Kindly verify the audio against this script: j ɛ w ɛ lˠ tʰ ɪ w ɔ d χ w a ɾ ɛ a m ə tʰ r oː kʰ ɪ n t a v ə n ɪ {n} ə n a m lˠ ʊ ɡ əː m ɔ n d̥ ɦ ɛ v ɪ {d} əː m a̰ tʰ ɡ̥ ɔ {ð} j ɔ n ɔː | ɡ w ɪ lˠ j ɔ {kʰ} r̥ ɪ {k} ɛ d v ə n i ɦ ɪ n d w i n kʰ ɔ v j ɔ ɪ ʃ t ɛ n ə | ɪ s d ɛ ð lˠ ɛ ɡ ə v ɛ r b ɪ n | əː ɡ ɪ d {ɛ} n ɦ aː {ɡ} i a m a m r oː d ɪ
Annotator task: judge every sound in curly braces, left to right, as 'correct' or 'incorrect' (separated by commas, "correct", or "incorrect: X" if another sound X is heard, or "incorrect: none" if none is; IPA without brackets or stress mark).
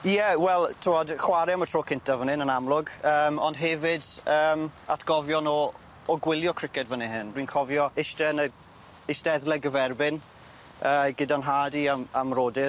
correct, correct, incorrect: v, correct, correct, incorrect: a, incorrect: d